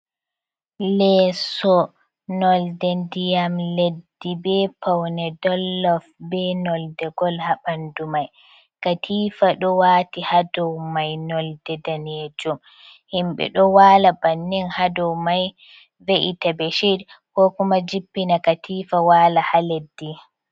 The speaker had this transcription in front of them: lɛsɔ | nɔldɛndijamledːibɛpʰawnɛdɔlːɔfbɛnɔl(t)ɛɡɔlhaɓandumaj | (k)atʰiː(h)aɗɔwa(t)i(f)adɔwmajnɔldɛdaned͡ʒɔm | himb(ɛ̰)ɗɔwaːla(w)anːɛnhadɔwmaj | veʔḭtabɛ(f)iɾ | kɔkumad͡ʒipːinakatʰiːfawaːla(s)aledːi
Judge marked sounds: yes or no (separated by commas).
no, yes, no, yes, no, yes, no, no, no